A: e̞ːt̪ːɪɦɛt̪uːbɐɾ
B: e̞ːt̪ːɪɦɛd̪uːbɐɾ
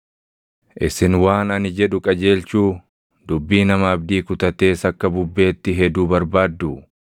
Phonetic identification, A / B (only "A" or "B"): B